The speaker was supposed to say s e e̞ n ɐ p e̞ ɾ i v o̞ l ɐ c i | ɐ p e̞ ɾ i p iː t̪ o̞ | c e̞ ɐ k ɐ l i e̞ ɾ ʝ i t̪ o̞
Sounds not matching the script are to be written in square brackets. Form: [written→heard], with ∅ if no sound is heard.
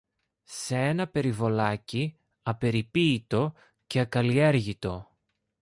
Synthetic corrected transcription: s e e̞ n ɐ p e̞ ɾ i v o̞ l ɐ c i | ɐ p e̞ ɾ i p iː t̪ o̞ | c e̞ ɐ k ɐ l i e̞ ɾ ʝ i t̪ o̞